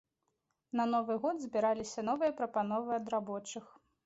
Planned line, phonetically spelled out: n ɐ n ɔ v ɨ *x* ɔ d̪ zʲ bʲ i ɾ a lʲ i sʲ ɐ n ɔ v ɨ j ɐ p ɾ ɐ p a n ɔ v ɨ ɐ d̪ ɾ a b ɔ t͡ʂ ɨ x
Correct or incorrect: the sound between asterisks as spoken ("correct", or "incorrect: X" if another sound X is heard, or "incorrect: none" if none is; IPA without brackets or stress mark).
incorrect: ɣ